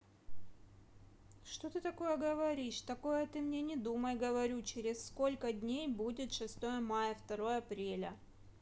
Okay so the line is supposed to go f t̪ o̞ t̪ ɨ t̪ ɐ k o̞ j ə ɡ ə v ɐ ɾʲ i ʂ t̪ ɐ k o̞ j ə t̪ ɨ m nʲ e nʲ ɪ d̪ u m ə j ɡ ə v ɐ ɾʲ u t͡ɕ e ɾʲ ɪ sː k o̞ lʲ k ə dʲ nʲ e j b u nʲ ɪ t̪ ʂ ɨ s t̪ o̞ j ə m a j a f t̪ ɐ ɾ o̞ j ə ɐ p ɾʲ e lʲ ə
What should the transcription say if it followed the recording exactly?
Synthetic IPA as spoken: ʂ t̪ o̞ t̪ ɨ t̪ ɐ k o̞ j ə ɡ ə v ɐ ɾʲ i ʂ t̪ ɐ k o̞ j ə t̪ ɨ m nʲ e nʲ ɪ d̪ u m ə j ɡ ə v ɐ ɾʲ u t͡ɕ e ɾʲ ɪ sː k o̞ lʲ k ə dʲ nʲ e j b u dʲ ɪ t̪ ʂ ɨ s t̪ o̞ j ə m a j ə f t̪ ɐ ɾ o̞ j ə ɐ p ɾʲ e lʲ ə